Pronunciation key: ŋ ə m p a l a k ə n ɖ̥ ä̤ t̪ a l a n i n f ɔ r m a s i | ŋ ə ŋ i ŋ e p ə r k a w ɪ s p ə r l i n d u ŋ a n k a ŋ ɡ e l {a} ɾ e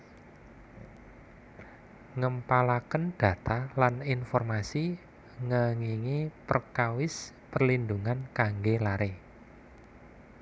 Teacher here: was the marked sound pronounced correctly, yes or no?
yes